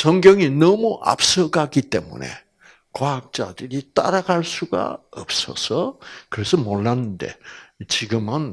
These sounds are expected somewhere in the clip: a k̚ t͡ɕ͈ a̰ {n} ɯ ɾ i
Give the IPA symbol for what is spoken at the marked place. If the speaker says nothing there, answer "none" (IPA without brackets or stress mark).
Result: d